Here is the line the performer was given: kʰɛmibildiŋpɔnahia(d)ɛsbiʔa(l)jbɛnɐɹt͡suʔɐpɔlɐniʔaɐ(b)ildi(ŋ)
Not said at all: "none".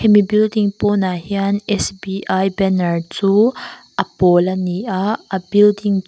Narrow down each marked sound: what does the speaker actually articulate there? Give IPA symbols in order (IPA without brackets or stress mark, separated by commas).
n, none, b, ŋ